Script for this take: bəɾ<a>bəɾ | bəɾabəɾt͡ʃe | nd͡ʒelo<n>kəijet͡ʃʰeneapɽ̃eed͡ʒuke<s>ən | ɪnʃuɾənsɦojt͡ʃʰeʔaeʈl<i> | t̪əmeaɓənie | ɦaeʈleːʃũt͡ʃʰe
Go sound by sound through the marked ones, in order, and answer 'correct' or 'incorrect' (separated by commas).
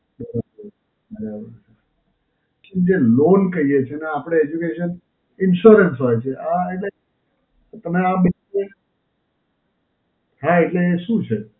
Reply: correct, correct, incorrect, incorrect